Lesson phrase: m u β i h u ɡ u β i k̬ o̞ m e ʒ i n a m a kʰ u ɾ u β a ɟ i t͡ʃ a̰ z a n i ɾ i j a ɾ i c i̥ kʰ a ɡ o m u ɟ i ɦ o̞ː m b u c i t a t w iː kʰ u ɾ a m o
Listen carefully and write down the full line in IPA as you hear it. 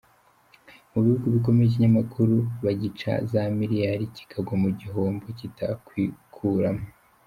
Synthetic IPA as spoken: m u β i h u ɡ u β i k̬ o̞ m e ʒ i ɲ a m a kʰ u ɾ u β a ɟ i t͡ʃ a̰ z a m i ɾ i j a ɾ i c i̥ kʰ a ɡ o m u ɟ i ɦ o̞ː m b o c i t a k w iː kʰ u ɾ a m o